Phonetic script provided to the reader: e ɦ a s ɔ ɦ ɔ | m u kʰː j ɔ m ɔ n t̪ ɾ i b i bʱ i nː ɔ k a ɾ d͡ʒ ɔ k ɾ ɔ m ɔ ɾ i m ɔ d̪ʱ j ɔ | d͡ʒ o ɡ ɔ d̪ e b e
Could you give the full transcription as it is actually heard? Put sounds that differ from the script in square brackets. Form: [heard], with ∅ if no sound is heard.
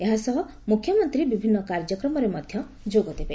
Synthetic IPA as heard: e ɦ a s ɔ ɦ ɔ | m u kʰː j ɔ m ɔ n t̪ ɾ i b i bʱ i nː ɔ k a ɾ d͡ʒ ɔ k ɾ ɔ m ɔ ɾ [e] m ɔ d̪ʱ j ɔ | d͡ʒ o ɡ ɔ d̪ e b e